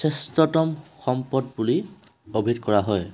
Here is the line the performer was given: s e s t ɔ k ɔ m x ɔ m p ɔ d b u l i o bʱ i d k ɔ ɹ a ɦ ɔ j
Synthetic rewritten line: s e s t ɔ t ɔ m x ɔ m p ɔ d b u l i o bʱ i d k ɔ ɹ a ɦ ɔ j

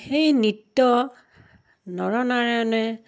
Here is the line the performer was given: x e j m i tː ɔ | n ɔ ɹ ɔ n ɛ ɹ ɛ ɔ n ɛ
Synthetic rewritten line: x e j n i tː ɔ | n ɔ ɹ ɔ n a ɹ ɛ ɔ n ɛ

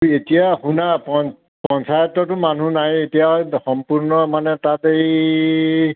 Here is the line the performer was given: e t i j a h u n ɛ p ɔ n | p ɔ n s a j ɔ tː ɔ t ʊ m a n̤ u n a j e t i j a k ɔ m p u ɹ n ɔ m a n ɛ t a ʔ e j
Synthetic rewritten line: e t i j a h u n a p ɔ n | p ɔ n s a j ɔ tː ɔ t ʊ m a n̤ u n a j e t i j a x ɔ m p u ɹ n ɔ m a n ɛ t a t e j

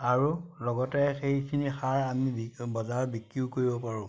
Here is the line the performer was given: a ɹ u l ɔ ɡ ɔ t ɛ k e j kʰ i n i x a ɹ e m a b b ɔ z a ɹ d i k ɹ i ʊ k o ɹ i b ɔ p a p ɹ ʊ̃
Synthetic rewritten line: a ɹ u l ɔ ɡ ɔ t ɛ x e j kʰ i n i x a ɹ a m i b b ɔ z a ɹ b i k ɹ i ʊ k o ɹ i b ɔ p a ɹ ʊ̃

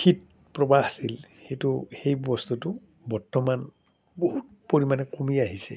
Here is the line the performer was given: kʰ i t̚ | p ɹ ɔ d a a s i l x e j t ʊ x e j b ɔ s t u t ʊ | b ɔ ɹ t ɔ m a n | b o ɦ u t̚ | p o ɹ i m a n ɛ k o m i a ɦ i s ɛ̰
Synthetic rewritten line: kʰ i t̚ | p ɹ ɔ b a a s i l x e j t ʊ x e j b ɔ s t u t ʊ | b ɔ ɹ t ɔ m a n | b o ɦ u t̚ | p o ɹ i m a n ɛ k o m i a ɦ i s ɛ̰

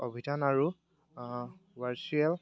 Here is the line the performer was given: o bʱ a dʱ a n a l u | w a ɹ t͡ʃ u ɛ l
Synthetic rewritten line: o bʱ i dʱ a n a ɹ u | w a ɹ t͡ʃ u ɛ l

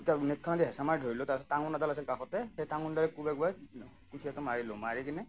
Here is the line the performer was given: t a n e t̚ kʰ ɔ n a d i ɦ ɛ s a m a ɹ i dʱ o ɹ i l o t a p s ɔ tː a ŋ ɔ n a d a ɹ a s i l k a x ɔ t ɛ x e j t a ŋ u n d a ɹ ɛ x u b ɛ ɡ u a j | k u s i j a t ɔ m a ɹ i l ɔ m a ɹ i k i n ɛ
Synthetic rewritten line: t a n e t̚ kʰ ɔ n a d i ɦ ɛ s a m a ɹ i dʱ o ɹ i l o t a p s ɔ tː a ŋ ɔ n a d a l a s i l k a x ɔ t ɛ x e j t a ŋ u n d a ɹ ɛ k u b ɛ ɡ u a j | k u s i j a t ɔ m a ɹ i l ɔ m a ɹ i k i n ɛ

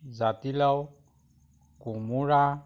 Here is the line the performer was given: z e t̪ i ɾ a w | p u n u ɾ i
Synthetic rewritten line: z a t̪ i l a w | k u m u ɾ a

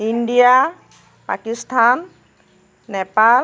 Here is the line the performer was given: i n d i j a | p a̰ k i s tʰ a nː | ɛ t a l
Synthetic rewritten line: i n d i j a | p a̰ k i s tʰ a nː | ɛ p a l

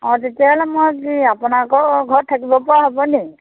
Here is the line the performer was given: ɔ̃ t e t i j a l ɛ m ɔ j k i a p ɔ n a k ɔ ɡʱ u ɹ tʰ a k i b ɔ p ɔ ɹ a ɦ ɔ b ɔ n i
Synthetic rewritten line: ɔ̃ t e t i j a l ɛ m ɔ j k i a p ɔ n a k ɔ ɡʱ ɔ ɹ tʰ a k i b ɔ p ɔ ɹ a ɦ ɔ b ɔ n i

